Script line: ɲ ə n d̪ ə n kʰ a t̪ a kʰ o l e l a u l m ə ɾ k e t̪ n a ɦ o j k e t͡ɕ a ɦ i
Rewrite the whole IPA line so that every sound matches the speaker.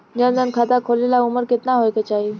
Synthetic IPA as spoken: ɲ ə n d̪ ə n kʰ a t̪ a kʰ o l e l a u m ə ɾ k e t̪ n a ɦ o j k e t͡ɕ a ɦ i